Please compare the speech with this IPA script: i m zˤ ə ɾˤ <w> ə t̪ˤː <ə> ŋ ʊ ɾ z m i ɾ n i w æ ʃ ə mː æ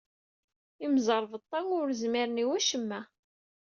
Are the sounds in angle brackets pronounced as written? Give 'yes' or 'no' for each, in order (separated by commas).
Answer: no, no